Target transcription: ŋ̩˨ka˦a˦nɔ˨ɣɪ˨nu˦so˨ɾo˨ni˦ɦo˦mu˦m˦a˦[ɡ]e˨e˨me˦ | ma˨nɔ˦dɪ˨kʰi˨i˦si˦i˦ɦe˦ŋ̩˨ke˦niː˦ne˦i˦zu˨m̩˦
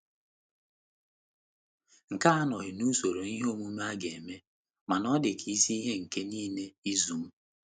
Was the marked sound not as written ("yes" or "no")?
no